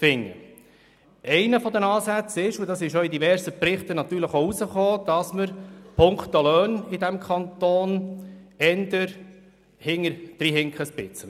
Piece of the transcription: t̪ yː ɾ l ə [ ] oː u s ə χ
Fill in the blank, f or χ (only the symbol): χ